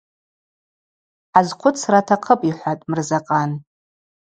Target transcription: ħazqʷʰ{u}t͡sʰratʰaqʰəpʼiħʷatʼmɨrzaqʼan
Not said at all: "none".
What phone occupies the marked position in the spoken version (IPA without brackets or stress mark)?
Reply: ʊ